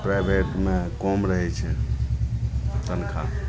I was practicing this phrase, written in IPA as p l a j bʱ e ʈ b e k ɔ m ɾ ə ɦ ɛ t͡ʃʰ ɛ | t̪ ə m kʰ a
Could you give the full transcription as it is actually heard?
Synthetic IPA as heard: p ɾ a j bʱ e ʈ m e k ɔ m ɾ ə ɦ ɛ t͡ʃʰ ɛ | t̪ ə n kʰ a

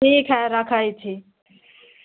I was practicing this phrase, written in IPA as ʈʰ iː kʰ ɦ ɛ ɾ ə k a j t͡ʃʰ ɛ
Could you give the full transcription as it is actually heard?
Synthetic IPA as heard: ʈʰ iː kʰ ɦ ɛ ɾ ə kʰ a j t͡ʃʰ i

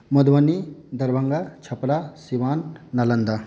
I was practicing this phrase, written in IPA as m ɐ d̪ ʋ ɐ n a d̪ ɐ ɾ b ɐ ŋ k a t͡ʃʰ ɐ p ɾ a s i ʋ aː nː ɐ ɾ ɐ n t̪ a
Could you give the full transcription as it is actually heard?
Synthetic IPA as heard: m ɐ d̪ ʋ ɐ n i d̪ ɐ ɾ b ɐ ŋ ɡ a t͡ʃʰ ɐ p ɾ a s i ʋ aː nː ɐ l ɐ n d̪ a

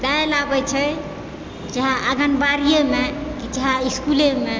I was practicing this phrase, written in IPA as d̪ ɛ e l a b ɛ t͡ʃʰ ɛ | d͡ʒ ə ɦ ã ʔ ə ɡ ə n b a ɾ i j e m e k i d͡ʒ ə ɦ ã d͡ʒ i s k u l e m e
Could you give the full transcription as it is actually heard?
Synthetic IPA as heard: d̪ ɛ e l a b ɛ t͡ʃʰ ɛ | d͡ʒ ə ɦ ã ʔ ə ɡ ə n b a ɾ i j e m e k i d͡ʒ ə ɦ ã i s k u l e m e

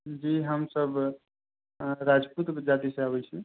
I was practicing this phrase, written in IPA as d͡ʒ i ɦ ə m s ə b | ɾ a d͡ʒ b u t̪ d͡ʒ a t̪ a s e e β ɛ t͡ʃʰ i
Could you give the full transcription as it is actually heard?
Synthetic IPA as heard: d͡ʒ i ɦ ə m s ə b | ɾ a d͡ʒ p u t̪ d͡ʒ a t̪ i s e a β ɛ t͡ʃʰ i

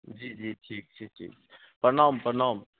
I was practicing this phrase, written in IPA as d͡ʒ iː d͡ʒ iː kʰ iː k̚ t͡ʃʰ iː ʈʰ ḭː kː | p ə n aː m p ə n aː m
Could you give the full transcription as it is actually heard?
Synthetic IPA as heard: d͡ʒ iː d͡ʒ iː ʈʰ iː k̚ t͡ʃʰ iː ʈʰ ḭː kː | p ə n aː m p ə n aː m

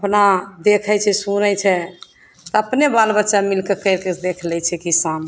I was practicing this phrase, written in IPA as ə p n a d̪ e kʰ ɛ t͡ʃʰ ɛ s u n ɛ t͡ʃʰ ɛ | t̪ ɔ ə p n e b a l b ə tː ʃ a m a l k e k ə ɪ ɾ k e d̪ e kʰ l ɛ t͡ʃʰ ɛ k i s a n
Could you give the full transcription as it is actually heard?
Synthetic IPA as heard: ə p n a d̪ e kʰ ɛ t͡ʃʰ ɛ s u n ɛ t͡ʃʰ ɛ | t̪ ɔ ə p n e b a l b ə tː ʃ a m i l k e k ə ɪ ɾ k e d̪ e kʰ l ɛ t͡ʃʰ ɛ k i s a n

